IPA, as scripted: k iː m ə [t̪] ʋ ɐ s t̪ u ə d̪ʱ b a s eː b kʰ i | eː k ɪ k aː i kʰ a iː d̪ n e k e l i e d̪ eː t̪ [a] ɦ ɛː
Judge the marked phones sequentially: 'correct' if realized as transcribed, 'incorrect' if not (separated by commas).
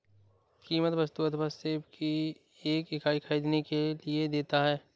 correct, correct